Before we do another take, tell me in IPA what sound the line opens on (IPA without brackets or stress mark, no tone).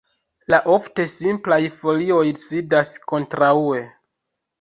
l